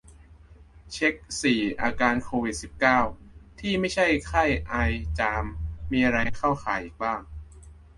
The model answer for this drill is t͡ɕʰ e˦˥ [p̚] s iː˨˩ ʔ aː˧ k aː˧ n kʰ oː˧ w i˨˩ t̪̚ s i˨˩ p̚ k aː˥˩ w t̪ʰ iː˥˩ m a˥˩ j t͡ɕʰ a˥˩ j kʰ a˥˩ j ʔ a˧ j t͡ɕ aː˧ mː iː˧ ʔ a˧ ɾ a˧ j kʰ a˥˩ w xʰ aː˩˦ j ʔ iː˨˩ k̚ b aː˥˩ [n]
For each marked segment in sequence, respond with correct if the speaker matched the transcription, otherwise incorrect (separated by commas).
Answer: incorrect, incorrect